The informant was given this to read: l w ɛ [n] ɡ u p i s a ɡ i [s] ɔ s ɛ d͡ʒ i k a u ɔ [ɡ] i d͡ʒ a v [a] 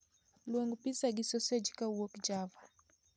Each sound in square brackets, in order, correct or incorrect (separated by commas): incorrect, correct, incorrect, correct